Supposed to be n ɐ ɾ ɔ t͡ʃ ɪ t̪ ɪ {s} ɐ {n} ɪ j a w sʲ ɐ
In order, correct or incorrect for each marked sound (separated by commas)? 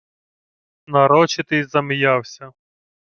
incorrect, incorrect